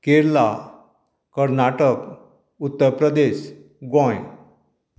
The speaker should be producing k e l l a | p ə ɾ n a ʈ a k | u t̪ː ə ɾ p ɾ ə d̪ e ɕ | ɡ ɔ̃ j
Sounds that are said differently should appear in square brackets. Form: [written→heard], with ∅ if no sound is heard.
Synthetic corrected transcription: k e [l→ɾ] l a | [p→k] ə ɾ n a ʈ [a→ə] k | u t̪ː ə ɾ p ɾ ə d̪ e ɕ | ɡ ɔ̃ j